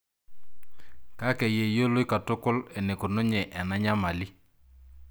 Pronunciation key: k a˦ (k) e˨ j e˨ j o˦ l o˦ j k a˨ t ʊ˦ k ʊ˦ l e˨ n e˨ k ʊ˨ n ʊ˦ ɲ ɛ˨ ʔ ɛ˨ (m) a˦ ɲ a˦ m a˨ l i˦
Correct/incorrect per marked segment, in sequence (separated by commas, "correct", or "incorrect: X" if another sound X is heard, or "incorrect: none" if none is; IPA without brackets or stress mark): correct, incorrect: n